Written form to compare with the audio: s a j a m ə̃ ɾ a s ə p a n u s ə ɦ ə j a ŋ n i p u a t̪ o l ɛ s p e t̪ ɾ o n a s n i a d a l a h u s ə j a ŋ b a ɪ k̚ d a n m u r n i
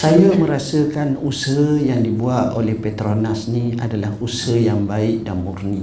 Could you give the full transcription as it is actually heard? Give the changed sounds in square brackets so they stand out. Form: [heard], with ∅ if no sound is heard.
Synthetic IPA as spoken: s a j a m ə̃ ɾ a s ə [k] a n u s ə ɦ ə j a ŋ [d] i [b] u a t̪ o l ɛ [h] p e t̪ ɾ o n a s n i a d a l a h u s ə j a ŋ b a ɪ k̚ d a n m u r n i